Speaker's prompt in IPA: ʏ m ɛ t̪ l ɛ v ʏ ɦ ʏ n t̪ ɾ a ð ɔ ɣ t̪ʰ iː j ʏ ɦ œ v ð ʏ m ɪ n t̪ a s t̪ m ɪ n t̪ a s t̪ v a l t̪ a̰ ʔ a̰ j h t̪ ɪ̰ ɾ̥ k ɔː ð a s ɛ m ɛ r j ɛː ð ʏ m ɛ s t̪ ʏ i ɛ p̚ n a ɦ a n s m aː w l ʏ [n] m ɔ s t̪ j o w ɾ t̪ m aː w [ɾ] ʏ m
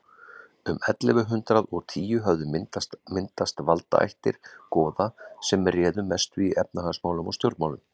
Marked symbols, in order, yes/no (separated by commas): no, no